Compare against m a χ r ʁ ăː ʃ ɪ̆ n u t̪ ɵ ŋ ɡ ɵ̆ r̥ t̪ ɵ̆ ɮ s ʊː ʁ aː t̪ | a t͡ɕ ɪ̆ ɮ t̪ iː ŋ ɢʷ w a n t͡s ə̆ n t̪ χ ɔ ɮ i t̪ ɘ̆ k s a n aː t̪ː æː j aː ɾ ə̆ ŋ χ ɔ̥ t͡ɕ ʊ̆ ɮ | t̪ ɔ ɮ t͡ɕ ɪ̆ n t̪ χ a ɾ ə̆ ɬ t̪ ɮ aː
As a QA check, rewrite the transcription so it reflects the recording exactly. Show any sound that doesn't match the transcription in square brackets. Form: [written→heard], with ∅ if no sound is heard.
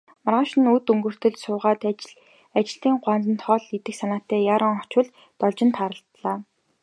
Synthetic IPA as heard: m a [χ→∅] r ʁ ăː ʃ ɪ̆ n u t̪ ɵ ŋ ɡ ɵ̆ r̥ t̪ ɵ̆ ɮ s ʊː ʁ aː t̪ | a t͡ɕ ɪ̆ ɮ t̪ iː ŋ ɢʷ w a n t͡s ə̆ n t̪ χ ɔ ɮ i t̪ ɘ̆ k s a n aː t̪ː æː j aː ɾ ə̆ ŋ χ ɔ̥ t͡ɕ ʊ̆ ɮ | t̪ ɔ ɮ t͡ɕ ɪ̆ n t̪ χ a ɾ ə̆ ɬ t̪ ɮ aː